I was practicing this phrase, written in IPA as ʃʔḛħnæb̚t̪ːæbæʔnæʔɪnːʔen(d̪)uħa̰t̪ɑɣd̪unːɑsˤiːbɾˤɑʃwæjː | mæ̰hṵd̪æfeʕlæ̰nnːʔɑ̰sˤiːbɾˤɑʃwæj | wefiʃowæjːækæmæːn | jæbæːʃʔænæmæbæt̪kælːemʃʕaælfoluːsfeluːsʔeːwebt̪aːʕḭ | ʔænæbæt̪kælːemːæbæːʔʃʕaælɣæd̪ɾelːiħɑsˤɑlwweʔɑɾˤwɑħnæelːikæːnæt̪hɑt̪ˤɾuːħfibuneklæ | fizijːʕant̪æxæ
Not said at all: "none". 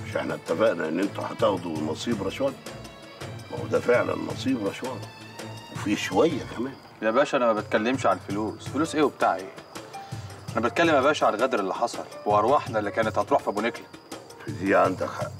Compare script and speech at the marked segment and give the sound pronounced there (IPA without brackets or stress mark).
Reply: t̪